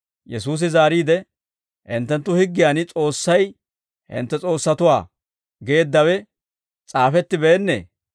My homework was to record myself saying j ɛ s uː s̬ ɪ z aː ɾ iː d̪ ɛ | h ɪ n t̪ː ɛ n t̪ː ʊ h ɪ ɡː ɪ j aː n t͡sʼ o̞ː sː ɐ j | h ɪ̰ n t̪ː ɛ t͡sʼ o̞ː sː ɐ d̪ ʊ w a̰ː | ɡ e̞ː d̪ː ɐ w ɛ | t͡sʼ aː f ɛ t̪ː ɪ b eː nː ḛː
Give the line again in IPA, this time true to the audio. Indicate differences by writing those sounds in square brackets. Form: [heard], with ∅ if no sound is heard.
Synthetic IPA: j ɛ s uː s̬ ɪ z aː ɾ iː d̪ ɛ | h ɪ n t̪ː ɛ n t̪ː ʊ h ɪ ɡː ɪ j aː n t͡sʼ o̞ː sː ɐ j | h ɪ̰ n t̪ː ɛ t͡sʼ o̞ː sː ɐ [t̪] ʊ w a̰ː | ɡ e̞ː d̪ː ɐ w ɛ | t͡sʼ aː f ɛ t̪ː ɪ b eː nː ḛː